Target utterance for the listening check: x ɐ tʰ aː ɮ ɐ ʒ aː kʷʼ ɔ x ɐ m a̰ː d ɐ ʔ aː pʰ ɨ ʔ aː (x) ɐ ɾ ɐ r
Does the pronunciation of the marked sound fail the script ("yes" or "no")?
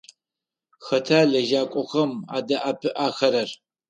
no